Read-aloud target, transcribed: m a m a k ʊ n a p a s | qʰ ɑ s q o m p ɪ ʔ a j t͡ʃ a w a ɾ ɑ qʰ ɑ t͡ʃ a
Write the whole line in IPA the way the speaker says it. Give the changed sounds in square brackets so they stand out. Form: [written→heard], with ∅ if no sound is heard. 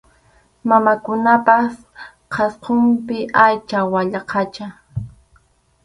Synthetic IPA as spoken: m a m a k ʊ n a p a s | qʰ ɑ s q o m p ɪ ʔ a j t͡ʃ a w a [ɾ→ʎ] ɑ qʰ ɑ t͡ʃ a